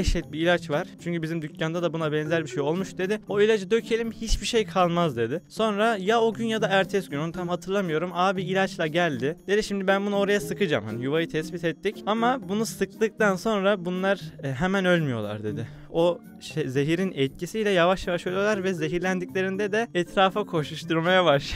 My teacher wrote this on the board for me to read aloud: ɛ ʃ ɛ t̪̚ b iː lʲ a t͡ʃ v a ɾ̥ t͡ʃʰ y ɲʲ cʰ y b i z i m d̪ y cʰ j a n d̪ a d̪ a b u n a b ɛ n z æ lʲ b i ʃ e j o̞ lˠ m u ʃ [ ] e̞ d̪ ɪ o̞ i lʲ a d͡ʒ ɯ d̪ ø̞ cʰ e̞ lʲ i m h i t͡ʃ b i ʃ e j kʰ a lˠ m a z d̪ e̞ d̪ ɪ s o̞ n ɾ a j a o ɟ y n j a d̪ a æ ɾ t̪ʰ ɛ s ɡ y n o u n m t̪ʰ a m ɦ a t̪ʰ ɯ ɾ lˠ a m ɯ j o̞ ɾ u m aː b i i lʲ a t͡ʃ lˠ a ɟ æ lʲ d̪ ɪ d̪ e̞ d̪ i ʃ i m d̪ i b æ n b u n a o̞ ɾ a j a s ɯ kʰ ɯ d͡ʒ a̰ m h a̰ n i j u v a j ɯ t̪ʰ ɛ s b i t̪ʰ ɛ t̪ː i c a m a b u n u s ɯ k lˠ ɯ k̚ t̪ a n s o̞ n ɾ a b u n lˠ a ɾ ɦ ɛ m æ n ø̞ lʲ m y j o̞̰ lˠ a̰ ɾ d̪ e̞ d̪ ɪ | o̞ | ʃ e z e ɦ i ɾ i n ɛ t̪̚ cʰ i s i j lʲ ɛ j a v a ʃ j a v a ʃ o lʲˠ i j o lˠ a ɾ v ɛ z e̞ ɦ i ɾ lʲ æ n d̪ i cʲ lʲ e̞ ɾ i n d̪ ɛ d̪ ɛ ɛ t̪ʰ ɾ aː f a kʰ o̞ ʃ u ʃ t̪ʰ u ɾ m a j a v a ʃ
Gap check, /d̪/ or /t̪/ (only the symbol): d̪